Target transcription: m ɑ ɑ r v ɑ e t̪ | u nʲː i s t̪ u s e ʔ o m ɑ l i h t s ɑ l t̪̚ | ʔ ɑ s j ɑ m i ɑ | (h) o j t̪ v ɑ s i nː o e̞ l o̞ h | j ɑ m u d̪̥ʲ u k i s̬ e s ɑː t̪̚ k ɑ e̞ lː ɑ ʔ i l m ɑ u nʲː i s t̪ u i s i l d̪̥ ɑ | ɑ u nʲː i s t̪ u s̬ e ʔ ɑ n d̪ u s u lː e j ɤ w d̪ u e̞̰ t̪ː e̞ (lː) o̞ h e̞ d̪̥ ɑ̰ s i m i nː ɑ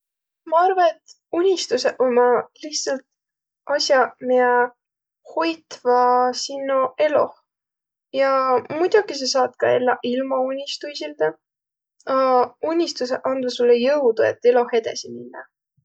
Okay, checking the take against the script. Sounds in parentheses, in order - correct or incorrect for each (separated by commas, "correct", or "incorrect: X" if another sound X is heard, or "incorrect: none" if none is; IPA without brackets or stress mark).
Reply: correct, incorrect: l